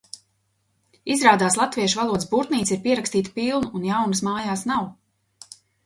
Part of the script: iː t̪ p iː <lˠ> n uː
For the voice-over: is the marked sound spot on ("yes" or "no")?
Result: yes